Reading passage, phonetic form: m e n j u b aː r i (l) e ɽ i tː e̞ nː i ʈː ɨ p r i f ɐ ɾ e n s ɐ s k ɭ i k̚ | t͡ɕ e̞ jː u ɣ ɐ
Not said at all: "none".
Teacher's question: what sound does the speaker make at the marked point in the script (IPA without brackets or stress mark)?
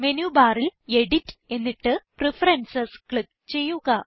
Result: l